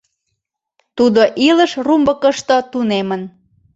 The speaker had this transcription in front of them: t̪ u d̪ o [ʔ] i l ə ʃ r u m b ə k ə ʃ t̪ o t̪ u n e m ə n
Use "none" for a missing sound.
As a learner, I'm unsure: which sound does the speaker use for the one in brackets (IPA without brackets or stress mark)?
ʔ